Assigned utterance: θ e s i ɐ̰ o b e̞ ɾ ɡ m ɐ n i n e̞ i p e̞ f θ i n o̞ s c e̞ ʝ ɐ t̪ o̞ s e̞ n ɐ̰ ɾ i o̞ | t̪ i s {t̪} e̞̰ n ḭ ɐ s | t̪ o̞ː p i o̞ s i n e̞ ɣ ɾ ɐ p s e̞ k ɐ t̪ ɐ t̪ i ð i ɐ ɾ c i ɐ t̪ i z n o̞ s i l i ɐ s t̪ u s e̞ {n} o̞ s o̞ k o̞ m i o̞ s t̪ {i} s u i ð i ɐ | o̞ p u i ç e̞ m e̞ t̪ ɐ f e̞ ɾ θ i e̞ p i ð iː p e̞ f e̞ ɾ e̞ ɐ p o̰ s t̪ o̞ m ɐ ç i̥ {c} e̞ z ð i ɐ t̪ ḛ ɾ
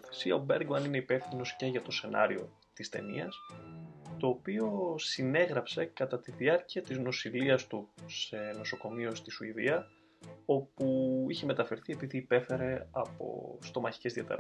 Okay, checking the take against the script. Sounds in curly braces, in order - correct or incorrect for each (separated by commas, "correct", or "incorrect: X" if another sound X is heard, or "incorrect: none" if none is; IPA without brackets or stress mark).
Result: correct, correct, correct, correct